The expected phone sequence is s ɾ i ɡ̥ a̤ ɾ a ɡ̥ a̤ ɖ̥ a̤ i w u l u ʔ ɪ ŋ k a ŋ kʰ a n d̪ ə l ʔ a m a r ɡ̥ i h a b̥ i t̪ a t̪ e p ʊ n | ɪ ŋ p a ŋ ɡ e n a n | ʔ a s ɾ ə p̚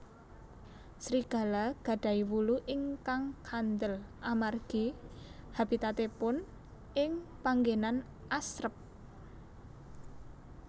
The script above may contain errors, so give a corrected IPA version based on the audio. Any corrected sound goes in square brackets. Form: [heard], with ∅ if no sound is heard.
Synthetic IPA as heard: s ɾ i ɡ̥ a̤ [l] a ɡ̥ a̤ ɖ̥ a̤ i w u l u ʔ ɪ ŋ k a ŋ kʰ a n d̪ ə l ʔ a m a r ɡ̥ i h a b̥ i t̪ a t̪ e p ʊ n | ɪ ŋ p a ŋ ɡ e n a n | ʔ a s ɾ ə p̚